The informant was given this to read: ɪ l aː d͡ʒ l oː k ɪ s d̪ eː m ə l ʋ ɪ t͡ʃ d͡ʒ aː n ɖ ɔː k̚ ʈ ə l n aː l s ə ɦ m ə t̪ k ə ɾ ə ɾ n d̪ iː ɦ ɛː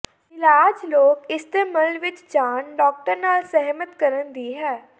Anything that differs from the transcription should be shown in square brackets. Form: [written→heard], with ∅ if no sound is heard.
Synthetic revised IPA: ɪ l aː d͡ʒ l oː k ɪ s [d̪→t̪] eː m ə l ʋ ɪ t͡ʃ d͡ʒ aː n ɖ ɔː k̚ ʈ ə [l→ɾ] n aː l s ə ɦ m ə t̪ k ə ɾ ə [ɾ→∅] n d̪ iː ɦ ɛː